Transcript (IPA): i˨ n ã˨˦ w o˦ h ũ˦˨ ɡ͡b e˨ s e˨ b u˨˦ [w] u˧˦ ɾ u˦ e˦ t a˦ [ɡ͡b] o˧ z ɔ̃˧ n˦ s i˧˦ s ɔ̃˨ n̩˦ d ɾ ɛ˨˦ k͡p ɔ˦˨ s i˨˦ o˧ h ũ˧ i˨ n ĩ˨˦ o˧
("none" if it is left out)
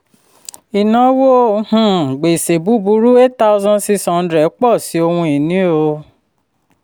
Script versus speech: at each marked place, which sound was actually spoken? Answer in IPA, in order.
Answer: b, none

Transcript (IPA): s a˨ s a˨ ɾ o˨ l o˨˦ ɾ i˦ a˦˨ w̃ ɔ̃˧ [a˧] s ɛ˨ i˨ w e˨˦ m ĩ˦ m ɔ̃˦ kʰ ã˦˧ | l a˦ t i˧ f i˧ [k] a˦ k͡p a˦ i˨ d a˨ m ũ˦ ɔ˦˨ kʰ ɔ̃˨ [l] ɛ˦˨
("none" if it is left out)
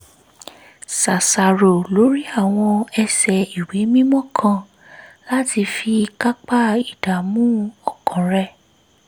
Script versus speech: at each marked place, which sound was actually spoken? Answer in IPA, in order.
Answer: ɛ˧, k, ɾ

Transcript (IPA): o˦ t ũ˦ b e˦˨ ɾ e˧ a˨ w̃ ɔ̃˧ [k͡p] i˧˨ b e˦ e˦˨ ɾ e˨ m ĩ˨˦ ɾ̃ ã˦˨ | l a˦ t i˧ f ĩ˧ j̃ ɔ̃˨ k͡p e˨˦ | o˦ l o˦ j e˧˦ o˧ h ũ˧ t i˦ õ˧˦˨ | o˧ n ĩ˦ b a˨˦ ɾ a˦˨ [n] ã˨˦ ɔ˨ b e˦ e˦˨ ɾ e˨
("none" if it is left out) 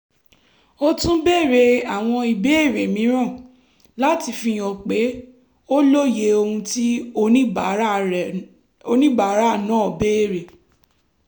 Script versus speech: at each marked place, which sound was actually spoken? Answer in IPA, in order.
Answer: none, n

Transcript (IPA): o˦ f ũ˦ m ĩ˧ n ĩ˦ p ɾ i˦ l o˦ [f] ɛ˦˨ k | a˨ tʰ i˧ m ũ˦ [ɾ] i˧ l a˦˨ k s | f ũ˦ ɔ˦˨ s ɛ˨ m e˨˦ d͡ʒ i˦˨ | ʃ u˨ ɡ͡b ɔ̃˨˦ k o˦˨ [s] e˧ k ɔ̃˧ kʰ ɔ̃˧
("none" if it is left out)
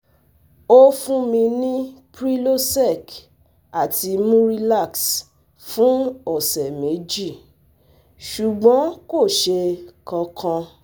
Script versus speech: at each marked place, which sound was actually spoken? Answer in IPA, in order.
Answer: s, ɾ, ʃ

